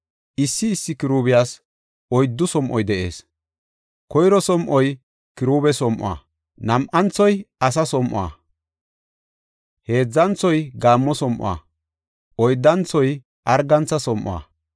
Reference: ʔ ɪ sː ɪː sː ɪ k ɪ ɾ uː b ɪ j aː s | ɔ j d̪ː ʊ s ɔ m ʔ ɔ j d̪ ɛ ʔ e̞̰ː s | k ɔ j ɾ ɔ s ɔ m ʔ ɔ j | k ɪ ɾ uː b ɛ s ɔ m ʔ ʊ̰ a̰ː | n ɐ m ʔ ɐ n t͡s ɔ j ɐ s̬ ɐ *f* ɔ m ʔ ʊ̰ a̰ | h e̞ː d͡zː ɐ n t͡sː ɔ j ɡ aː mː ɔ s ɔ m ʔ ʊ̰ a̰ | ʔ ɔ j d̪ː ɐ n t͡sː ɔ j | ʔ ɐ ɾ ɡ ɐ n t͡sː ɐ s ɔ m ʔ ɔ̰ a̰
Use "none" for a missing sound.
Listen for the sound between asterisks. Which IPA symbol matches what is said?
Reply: s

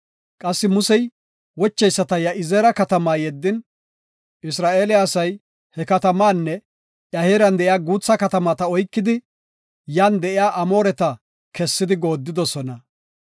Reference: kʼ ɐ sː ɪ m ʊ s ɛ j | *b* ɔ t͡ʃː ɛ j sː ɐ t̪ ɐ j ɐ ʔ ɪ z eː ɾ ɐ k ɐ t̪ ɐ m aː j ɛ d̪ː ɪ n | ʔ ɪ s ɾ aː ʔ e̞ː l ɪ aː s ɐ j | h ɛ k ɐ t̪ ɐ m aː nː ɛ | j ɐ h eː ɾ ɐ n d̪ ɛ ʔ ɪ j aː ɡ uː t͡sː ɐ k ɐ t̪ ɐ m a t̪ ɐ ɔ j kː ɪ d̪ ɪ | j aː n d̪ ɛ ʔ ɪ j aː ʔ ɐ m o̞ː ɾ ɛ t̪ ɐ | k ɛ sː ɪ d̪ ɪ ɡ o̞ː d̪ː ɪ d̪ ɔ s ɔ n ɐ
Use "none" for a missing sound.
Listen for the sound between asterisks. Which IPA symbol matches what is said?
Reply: w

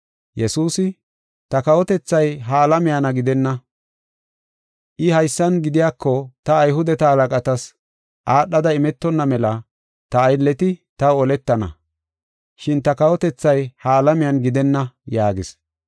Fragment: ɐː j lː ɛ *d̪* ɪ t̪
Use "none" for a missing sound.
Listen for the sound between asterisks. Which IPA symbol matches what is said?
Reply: t̪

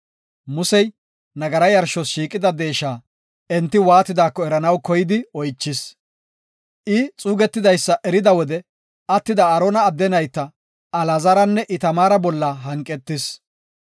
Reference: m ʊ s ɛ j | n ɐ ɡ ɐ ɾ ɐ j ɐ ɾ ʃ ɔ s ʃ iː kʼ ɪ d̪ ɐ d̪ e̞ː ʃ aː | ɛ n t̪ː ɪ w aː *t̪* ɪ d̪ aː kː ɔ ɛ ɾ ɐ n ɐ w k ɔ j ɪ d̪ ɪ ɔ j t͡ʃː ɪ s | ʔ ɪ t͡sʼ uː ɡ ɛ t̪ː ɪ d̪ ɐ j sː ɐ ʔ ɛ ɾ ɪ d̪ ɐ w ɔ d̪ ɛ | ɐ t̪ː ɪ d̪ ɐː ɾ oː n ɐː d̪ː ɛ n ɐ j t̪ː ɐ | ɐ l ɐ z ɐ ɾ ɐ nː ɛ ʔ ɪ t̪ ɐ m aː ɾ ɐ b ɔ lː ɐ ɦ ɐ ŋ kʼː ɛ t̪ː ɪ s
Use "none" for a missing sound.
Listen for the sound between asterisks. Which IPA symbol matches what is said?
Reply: t̪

